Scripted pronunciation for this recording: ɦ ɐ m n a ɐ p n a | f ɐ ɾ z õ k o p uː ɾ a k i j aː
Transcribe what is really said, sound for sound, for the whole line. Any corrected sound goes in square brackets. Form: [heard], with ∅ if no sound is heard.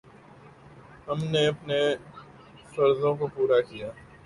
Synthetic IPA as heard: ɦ ɐ m n [e] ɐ p n [e] | f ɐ ɾ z õ k o p uː ɾ a k i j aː